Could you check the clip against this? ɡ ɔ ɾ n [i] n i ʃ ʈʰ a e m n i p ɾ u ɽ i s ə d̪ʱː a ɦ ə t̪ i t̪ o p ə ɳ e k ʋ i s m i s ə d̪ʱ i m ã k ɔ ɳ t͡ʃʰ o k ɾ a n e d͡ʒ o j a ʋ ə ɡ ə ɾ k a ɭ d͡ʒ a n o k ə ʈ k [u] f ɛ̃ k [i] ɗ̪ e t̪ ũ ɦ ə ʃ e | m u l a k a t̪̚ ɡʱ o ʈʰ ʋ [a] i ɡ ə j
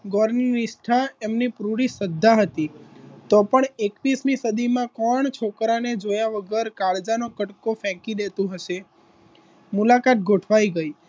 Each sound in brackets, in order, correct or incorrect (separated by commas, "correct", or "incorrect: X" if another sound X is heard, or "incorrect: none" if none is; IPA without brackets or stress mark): correct, incorrect: o, correct, correct